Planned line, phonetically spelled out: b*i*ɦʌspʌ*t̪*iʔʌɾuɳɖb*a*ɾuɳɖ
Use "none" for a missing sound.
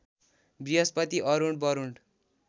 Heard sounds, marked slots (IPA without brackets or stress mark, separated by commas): i, t̪, ʌ